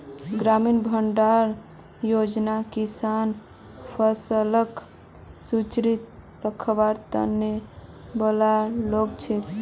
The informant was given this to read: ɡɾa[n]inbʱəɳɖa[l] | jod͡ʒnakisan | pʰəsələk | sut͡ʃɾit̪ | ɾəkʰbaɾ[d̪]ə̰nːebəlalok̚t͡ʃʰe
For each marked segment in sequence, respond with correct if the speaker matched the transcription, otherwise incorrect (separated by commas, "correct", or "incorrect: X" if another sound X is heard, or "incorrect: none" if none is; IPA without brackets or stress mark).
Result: incorrect: m, incorrect: ɾ, incorrect: t̪